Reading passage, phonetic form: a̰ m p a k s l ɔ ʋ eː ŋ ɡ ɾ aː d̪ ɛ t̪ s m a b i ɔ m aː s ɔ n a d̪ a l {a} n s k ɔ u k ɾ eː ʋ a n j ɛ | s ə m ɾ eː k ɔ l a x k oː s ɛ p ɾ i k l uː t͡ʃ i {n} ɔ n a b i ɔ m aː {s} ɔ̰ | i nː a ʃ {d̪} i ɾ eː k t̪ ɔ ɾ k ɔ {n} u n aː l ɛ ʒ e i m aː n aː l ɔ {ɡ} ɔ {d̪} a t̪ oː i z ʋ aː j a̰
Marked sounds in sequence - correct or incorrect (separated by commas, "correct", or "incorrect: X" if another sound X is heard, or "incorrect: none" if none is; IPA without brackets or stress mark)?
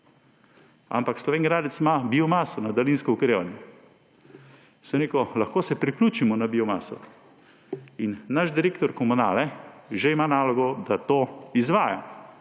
incorrect: i, incorrect: m, correct, correct, incorrect: m, correct, correct